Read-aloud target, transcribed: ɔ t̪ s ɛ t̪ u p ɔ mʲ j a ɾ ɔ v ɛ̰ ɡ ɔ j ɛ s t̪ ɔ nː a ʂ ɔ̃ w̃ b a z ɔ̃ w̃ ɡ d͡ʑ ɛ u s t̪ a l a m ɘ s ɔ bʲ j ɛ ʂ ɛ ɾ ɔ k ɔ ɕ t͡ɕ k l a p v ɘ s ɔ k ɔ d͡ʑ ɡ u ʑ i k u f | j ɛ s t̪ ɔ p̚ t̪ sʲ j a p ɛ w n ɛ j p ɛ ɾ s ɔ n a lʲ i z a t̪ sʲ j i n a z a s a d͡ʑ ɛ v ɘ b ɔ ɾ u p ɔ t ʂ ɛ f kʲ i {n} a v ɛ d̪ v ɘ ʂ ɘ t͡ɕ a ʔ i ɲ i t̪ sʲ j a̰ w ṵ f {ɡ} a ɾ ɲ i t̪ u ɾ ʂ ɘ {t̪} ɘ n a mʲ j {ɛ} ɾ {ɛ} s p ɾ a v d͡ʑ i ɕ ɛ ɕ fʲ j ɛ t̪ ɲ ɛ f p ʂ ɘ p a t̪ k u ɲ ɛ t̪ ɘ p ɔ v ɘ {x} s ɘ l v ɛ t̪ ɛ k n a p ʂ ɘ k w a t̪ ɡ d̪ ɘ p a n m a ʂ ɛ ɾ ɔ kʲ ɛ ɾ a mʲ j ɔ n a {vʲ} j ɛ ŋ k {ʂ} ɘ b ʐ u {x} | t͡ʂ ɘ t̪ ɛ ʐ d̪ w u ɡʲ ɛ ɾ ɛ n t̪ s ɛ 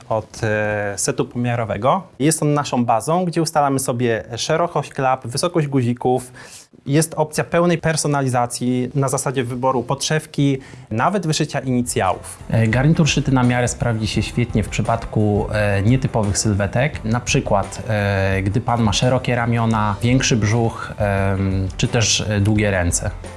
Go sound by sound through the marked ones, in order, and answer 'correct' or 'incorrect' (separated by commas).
correct, correct, correct, incorrect, correct, correct, correct, correct, correct